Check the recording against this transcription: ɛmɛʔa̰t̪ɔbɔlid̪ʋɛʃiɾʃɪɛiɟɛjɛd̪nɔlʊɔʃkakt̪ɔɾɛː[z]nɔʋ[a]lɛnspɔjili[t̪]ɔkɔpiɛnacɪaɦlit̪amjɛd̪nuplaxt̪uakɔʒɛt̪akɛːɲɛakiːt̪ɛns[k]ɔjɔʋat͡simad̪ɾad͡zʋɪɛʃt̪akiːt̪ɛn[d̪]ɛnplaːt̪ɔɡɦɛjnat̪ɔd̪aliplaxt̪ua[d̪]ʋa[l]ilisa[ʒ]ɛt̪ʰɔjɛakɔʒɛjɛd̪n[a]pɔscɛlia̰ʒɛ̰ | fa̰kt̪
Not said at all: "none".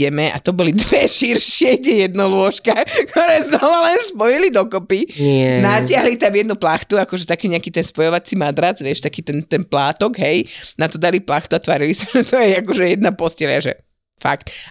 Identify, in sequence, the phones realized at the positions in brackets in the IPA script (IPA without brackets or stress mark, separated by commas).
z, a, d̪, p, t̪, t̪, ɾ, ʒ, a